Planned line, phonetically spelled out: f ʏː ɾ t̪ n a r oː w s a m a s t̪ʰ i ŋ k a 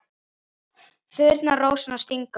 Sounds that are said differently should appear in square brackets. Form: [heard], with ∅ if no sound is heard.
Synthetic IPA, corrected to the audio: f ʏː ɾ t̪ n a r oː w s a [n] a s [t̪] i ŋ k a

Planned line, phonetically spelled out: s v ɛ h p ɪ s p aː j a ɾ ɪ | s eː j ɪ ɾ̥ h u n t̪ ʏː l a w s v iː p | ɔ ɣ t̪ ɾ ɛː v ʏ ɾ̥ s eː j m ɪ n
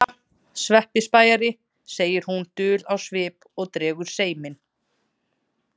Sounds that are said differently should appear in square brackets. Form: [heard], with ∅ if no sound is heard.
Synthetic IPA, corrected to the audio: s v ɛ h p ɪ s p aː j a ɾ ɪ | s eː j ɪ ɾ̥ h u n t̪ ʏː l a w s v [ɪː] p | ɔ ɣ t̪ ɾ ɛː [ɣ] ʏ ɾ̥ s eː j m ɪ n

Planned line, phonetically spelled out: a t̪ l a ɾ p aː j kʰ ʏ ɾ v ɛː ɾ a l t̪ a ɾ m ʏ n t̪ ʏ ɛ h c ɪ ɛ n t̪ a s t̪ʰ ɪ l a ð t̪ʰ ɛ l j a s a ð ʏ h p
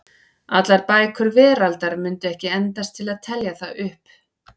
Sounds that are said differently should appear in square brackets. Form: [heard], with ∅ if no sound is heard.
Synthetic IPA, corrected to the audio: a t̪ l a ɾ p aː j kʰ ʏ ɾ v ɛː ɾ a l t̪ a ɾ m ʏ n t̪ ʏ ɛ h c ɪ ɛ n t̪ a s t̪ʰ ɪ l a ð t̪ʰ ɛ l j a [θ] a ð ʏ h p

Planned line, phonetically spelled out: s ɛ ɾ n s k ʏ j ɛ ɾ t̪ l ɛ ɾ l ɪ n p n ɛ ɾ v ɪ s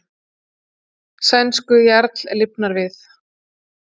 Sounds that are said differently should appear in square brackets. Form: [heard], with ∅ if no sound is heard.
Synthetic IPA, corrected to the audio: s ɛ [∅] n s k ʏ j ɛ ɾ t̪ l ɛ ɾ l ɪ [∅] p n [a] ɾ v ɪ [θ]

